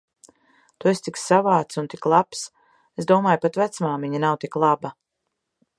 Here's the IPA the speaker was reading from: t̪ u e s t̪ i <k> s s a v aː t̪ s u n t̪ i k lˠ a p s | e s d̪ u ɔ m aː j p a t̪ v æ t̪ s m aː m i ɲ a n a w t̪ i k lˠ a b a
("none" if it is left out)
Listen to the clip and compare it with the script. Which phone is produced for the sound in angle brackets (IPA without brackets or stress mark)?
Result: k